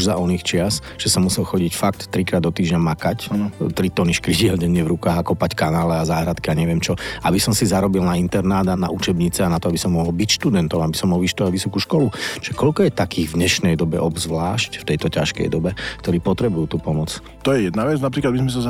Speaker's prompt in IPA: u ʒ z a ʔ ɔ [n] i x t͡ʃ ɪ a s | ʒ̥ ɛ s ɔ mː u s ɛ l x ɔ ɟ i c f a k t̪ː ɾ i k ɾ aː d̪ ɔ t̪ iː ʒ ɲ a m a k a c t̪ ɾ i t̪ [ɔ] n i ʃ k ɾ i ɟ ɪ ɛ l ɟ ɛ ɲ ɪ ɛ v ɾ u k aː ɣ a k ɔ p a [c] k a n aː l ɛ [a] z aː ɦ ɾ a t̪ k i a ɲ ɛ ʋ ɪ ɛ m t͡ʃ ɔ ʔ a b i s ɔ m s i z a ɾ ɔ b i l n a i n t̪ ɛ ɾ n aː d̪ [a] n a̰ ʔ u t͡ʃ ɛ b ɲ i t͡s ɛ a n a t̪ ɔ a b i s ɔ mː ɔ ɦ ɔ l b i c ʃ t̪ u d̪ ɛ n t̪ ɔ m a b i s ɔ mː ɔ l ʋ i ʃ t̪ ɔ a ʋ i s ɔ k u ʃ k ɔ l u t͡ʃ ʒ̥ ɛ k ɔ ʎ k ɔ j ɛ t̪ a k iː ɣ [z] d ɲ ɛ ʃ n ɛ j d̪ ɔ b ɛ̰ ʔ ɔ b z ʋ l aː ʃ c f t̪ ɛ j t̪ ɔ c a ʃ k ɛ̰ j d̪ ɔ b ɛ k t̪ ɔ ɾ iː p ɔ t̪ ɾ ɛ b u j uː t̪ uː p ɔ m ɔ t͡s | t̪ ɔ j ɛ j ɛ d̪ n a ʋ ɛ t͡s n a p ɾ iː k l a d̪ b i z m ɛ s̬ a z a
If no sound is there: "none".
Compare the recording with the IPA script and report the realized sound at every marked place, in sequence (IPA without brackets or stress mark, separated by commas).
n, ɔ, c, a, a, v